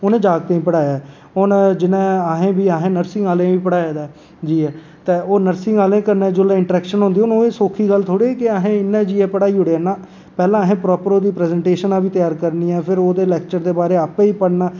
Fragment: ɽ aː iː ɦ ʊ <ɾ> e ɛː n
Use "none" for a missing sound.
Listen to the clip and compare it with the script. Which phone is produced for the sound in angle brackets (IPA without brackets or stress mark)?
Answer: ɽ